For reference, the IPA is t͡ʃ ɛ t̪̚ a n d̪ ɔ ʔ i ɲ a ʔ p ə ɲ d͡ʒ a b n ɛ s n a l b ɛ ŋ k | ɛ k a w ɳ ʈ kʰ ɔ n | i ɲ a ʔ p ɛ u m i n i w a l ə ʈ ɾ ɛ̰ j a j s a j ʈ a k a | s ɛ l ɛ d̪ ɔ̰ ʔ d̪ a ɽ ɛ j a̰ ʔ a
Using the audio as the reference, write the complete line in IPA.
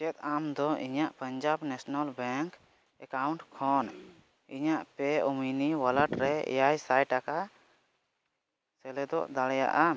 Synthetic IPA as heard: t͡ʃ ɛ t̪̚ a m d̪ ɔ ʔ i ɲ a ʔ p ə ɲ d͡ʒ a b n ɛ s n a l b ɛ ŋ k | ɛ k a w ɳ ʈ kʰ ɔ n | i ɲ a ʔ p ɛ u m i n i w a l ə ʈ ɾ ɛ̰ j a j s a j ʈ a k a | s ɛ l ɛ d̪ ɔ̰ ʔ d̪ a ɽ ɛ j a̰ ʔ a